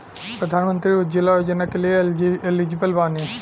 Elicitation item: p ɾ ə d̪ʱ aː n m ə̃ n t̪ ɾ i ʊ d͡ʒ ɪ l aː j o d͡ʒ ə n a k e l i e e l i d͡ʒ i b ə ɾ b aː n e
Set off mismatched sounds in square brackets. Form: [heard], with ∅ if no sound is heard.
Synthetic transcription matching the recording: p ɾ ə d̪ʱ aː n m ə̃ n t̪ ɾ i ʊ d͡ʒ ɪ l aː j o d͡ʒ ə n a k e l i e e l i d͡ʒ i b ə [l] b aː n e